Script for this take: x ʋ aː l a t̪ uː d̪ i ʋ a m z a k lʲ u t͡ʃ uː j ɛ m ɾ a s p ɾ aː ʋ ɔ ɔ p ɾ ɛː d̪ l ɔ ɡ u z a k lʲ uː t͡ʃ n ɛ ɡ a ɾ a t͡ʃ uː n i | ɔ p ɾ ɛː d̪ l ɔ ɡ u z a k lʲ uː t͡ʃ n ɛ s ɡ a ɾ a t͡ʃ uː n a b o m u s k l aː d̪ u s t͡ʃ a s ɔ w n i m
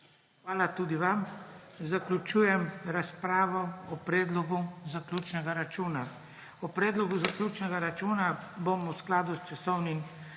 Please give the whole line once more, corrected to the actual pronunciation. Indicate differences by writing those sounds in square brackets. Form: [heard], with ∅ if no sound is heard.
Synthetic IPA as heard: x ʋ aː l a t̪ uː d̪ i ʋ a m z a k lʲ u t͡ʃ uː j ɛ m ɾ a s p ɾ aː ʋ ɔ ɔ p ɾ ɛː d̪ l ɔ ɡ u z a k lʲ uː t͡ʃ n ɛ ɡ a ɾ a t͡ʃ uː n [a] | ɔ p ɾ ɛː d̪ l ɔ ɡ u z a k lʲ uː t͡ʃ n ɛ [∅] ɡ a ɾ a t͡ʃ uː n a b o m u s k l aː d̪ u s t͡ʃ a s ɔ w n i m